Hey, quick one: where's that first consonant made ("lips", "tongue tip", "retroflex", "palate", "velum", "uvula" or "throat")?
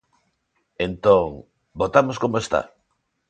tongue tip